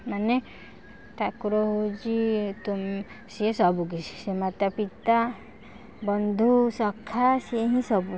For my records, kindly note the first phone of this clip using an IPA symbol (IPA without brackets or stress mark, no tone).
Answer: m